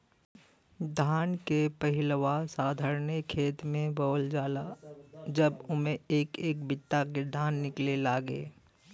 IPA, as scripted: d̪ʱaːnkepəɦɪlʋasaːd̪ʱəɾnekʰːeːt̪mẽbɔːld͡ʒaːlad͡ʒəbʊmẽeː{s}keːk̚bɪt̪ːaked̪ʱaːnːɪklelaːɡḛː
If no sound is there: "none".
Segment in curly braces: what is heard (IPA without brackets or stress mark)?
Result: none